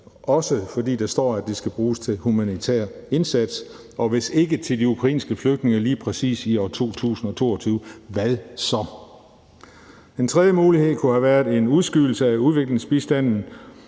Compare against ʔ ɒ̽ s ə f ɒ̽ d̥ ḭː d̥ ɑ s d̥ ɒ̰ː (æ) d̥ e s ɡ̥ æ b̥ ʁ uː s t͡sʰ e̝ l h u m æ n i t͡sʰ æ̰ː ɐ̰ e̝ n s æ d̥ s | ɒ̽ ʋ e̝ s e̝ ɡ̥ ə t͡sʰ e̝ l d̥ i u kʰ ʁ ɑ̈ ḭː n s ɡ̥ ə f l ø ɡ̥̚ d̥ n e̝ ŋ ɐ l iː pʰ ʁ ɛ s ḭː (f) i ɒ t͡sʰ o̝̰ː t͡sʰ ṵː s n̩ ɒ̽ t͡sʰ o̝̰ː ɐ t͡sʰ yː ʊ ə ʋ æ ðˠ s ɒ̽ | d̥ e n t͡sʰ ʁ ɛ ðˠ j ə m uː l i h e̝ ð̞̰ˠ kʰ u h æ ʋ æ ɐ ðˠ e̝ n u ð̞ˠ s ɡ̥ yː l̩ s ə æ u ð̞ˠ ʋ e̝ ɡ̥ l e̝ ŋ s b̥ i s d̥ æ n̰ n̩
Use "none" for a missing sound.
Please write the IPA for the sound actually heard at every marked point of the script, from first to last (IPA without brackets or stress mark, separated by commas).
æ, s